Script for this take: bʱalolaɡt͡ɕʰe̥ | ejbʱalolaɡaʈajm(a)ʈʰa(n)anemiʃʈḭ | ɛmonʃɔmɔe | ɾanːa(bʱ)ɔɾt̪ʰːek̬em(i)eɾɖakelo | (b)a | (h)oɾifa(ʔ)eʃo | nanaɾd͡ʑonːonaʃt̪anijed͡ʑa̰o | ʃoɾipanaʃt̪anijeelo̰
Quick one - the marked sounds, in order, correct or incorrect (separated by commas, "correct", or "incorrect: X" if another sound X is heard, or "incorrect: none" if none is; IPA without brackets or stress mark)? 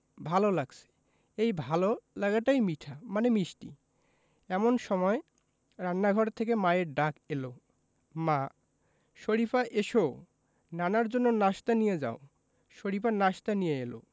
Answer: incorrect: i, incorrect: m, incorrect: ɡʱ, incorrect: a, incorrect: m, incorrect: ʃ, correct